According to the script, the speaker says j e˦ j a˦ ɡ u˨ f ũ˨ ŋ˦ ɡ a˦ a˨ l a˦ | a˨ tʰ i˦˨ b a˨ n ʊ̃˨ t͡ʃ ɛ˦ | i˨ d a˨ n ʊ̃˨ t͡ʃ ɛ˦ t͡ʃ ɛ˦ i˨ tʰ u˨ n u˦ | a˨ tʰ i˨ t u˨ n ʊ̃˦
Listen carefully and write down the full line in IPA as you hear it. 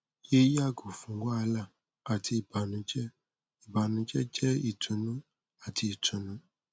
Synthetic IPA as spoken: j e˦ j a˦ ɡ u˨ f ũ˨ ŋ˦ ɡ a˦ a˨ l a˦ | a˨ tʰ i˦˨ b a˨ n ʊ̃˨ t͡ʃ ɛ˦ | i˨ b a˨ n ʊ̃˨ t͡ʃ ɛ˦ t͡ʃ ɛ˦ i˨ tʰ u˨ n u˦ | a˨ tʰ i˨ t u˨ n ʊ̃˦